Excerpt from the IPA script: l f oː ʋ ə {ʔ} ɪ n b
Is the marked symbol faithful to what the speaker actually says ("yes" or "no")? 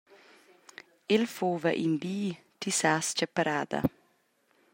yes